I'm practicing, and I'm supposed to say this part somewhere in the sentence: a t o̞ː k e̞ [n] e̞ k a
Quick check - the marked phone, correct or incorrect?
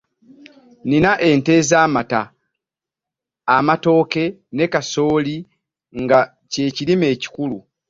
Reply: correct